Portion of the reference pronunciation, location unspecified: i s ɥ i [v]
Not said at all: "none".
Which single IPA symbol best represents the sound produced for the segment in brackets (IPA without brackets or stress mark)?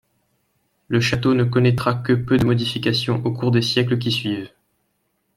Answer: v